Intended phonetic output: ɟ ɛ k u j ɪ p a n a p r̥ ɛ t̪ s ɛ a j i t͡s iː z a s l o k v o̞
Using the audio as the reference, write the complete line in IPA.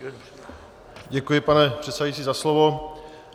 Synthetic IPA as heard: ɟ ɛ k u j ɪ p a n ɛ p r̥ ɛ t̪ s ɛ a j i t͡s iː z a s l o v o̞